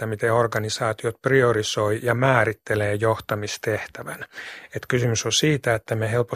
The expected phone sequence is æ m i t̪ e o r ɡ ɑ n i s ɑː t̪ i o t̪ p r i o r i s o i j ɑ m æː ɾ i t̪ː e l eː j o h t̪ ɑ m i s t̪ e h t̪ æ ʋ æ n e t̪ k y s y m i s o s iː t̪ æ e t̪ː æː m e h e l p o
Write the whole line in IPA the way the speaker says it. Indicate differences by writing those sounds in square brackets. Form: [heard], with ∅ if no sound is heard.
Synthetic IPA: æ m i t̪ e o r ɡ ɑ n i s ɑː t̪ i o t̪ p r i o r i s o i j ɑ m æː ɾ i t̪ː e l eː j o h t̪ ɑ m i s t̪ e h t̪ æ ʋ æ n e t̪ k y s y m [y] s o s iː t̪ æ e t̪ː [æ] m e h e l p o